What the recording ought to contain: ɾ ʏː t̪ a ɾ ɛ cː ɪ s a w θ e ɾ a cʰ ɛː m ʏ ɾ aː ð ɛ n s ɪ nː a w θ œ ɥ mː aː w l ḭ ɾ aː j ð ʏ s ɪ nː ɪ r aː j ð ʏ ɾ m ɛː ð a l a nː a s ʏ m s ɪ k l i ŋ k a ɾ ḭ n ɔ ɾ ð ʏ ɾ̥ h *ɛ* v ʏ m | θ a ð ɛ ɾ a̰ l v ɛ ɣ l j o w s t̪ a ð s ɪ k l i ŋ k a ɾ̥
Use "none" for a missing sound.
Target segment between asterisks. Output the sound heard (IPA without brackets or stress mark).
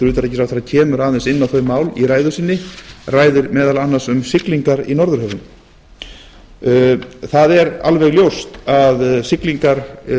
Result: œ